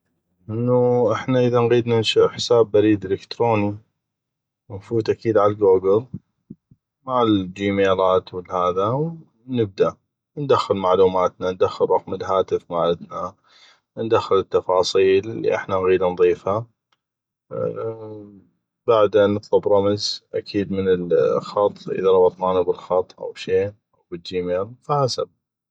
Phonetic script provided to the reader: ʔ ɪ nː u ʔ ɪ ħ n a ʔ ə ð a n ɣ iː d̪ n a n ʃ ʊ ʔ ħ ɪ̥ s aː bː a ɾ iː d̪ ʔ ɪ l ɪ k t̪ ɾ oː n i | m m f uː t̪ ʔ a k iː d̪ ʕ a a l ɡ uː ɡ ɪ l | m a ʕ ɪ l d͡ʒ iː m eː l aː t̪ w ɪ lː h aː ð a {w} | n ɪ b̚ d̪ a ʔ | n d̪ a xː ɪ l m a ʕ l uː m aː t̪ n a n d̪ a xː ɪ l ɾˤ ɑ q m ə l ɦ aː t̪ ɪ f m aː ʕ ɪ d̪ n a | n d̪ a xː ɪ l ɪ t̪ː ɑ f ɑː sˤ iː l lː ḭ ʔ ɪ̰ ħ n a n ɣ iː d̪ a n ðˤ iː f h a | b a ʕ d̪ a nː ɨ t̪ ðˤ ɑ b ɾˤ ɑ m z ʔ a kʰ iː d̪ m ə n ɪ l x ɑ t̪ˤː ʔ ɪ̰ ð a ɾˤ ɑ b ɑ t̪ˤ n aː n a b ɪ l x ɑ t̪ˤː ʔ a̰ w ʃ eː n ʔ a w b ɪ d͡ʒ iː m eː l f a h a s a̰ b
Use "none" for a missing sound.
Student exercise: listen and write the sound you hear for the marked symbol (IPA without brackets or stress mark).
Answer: w